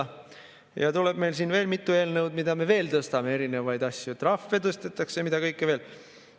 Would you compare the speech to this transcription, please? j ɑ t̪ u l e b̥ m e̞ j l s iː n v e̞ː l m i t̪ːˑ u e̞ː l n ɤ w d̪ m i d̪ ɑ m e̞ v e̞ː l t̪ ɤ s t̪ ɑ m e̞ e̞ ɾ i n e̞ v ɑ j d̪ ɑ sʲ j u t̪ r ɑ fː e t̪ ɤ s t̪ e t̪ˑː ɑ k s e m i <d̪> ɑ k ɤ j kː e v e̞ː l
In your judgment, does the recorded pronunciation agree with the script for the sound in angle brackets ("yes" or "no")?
yes